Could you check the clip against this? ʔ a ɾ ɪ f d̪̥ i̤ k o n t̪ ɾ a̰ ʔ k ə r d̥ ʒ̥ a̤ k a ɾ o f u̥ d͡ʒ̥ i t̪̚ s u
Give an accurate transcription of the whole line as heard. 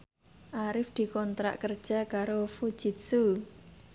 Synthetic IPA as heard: ʔ a ɾ ɪ f d̪̥ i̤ k ɔ n t̪ ɾ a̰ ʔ k ə r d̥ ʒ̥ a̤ k a ɾ o f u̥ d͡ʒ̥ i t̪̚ s u